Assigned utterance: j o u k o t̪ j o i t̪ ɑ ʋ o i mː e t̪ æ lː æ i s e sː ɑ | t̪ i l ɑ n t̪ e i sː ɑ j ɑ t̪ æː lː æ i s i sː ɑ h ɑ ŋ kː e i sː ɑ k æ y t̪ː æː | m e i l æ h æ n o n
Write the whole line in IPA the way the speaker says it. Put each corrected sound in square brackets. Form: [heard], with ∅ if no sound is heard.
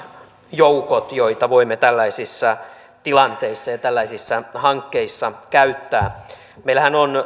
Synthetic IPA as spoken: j o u k o t̪ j o i t̪ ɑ ʋ o i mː e t̪ æ lː æ i s [i] sː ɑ | t̪ i l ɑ n t̪ e i sː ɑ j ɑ t̪ [æ] lː æ i s i sː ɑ h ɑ ŋ kː e i sː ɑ k æ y t̪ː æː | m e i l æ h æ n o n